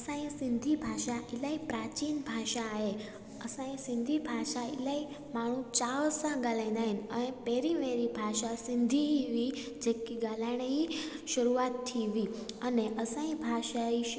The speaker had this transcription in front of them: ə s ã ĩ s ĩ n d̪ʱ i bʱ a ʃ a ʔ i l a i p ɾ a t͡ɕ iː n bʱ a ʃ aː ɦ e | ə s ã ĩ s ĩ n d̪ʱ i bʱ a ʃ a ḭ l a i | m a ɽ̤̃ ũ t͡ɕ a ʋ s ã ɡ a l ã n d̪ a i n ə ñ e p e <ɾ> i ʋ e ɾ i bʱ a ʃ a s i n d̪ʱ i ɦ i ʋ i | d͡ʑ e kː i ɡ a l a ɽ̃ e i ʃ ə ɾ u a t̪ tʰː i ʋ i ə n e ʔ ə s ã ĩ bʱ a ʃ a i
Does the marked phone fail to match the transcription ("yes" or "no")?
no